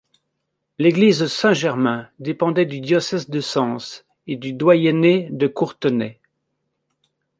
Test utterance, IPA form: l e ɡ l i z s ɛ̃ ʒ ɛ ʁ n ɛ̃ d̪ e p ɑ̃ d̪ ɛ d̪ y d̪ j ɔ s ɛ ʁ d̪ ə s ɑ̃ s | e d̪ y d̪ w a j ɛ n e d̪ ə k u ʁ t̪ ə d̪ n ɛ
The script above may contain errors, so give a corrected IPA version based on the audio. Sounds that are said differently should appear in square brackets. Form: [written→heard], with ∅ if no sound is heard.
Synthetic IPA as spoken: l e ɡ l i z s ɛ̃ ʒ ɛ ʁ [n→m] ɛ̃ d̪ e p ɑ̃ d̪ ɛ d̪ y d̪ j ɔ s ɛ [ʁ→z] d̪ ə s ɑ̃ s | e d̪ y d̪ w a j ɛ n e d̪ ə k u ʁ t̪ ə [d̪→∅] n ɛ